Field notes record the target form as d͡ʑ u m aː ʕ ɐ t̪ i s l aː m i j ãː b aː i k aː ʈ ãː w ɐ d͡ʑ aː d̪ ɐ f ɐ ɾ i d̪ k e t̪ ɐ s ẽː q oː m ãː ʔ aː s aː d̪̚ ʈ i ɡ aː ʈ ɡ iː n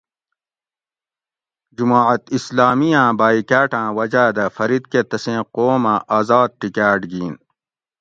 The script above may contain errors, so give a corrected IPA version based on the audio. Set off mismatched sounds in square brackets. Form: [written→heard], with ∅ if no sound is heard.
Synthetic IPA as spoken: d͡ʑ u m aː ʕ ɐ t̪ i s l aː m i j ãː b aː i k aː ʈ ãː w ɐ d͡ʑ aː d̪ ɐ f ɐ ɾ i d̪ k e t̪ ɐ s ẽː q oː m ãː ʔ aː [s→z] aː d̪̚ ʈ i [ɡ→k] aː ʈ ɡ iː n